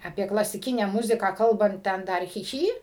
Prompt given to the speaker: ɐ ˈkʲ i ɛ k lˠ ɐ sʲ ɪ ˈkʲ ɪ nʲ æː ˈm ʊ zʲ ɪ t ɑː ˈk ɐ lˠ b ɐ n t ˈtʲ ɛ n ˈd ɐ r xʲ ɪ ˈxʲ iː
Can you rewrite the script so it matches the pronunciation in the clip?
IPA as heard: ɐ ˈpʲ i ɛ k lˠ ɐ sʲ ɪ ˈkʲ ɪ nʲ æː ˈm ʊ zʲ ɪ k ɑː ˈk ɐ lˠ b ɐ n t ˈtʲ ɛ n ˈd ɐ r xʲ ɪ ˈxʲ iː